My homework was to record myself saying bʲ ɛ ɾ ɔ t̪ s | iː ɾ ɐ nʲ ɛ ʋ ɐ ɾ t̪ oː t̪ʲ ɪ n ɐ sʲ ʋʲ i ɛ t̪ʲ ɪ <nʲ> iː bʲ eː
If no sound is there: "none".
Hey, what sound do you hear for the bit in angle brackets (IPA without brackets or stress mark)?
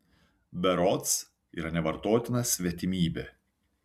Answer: mʲ